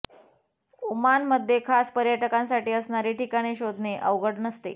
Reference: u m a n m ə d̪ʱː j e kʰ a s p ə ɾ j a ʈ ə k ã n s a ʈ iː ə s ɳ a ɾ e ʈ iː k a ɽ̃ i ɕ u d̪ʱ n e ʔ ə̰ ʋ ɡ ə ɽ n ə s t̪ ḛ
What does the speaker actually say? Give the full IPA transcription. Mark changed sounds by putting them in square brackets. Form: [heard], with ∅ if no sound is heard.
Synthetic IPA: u m a n m ə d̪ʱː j e kʰ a s p ə ɾ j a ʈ ə k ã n s a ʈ iː ə s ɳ a ɾ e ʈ [i] k a ɽ̃ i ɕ [o] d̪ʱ n e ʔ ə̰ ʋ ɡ ə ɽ n ə s t̪ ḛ